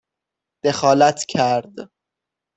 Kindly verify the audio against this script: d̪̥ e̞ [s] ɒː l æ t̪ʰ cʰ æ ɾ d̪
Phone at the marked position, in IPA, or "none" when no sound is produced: x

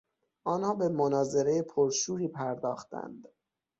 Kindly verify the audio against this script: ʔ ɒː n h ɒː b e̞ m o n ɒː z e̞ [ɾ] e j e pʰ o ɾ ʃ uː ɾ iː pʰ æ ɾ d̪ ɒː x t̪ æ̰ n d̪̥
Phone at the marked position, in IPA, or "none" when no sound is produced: ɾ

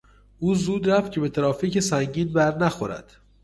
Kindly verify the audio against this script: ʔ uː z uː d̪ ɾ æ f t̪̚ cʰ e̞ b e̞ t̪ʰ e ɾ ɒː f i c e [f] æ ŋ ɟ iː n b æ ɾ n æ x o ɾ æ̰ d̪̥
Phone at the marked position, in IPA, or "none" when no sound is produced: s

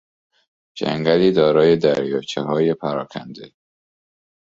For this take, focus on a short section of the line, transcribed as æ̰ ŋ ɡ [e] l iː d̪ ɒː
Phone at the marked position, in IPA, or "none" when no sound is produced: æ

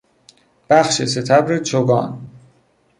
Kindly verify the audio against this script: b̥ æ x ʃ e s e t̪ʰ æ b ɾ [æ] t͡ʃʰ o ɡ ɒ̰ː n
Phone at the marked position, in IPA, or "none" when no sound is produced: e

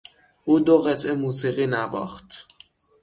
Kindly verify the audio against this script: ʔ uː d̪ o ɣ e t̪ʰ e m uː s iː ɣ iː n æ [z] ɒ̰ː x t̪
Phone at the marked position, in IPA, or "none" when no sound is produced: v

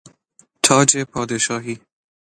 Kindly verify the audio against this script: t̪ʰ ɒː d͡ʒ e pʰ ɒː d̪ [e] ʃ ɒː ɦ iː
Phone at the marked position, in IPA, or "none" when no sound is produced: e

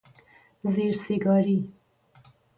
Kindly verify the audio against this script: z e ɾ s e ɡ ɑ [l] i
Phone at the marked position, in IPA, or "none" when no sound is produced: ɾ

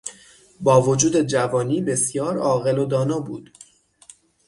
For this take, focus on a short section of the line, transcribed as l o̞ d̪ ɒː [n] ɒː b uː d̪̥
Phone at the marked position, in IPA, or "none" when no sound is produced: n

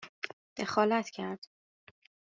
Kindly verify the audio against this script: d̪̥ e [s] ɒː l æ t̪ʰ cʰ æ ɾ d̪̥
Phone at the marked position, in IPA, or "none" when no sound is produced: x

